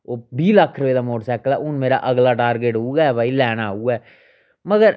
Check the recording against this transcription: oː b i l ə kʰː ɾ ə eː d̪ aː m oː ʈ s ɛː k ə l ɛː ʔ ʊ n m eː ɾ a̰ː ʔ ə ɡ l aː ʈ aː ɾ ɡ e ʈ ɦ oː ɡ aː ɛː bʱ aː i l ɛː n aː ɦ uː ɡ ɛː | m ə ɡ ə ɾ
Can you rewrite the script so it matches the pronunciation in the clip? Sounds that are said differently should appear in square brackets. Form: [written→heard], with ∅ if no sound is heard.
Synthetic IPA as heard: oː b [i→iː] l ə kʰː ɾ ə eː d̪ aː m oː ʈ s ɛː k ə l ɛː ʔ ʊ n m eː ɾ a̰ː ʔ ə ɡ l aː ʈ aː ɾ ɡ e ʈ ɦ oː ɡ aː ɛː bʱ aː i l ɛː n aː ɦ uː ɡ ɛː | m ə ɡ ə ɾ